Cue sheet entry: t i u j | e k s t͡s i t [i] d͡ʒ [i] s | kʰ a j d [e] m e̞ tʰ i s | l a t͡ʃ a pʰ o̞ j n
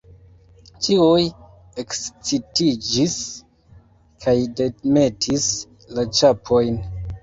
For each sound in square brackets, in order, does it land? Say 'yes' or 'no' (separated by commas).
yes, yes, yes